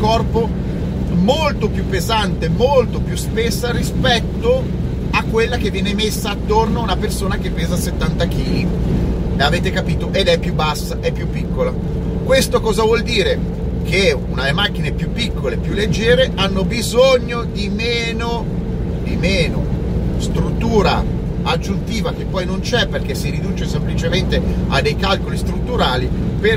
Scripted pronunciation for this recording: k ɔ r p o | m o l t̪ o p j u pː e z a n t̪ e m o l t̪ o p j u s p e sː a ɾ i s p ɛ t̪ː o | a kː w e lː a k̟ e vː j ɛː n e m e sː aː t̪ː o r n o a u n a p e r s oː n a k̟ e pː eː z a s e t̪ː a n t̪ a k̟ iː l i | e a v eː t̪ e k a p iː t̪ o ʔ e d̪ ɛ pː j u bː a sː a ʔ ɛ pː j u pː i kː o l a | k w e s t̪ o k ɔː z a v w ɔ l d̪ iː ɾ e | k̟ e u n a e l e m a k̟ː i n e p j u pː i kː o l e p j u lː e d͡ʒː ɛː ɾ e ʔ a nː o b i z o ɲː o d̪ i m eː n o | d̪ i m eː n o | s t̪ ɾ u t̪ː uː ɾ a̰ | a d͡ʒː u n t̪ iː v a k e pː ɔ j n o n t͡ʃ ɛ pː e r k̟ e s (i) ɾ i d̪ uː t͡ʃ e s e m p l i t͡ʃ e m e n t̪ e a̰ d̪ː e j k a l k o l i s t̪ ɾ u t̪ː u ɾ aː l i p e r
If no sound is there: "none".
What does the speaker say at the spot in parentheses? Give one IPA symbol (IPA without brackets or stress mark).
i